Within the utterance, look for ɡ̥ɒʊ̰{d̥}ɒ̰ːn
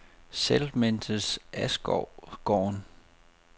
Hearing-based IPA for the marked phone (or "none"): ɡ̥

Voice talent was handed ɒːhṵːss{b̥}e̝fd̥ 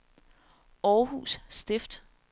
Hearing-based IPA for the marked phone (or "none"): d̥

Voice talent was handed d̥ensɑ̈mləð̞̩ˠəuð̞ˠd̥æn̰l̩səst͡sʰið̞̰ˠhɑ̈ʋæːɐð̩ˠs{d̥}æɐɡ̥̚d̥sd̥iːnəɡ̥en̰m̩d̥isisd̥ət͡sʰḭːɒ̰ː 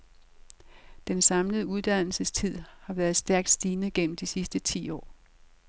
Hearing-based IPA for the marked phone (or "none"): d̥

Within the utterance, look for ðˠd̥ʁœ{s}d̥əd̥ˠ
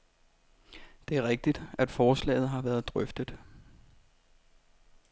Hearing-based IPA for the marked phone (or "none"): f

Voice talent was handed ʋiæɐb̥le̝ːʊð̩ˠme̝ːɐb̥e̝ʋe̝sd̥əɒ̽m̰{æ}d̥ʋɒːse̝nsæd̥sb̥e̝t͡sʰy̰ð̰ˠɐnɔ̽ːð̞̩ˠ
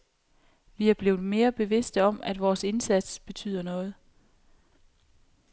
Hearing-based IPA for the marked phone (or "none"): æ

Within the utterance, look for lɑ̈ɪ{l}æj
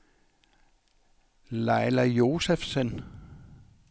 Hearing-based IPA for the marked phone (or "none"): l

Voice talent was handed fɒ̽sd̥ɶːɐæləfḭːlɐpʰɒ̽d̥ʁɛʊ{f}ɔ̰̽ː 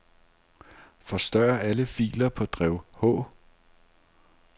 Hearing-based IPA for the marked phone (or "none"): h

